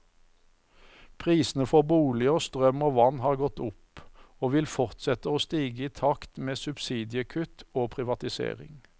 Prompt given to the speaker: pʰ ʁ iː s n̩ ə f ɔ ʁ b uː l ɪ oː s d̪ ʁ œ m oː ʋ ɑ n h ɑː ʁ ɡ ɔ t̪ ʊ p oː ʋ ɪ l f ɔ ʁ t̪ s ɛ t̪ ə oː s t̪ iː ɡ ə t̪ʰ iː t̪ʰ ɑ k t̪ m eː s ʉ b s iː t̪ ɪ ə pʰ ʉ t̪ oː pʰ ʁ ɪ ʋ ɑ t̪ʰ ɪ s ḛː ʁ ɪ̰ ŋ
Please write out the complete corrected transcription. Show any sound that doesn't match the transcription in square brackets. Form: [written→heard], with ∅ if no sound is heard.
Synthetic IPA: pʰ ʁ iː s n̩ ə f ɔ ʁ b uː l ɪ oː s [d̪→t̪] ʁ œ m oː ʋ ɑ n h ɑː ʁ ɡ ɔ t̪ ʊ p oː ʋ ɪ l f ɔ ʁ t̪ s ɛ t̪ ə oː s t̪ iː ɡ ə [t̪ʰ→∅] iː t̪ʰ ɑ k t̪ m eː s ʉ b s iː [t̪→d̪] ɪ ə [pʰ→kʰ] ʉ t̪ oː pʰ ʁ ɪ ʋ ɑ [t̪ʰ→t̪] ɪ s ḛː ʁ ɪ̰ ŋ